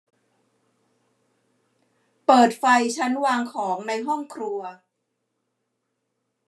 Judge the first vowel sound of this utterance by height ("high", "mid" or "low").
mid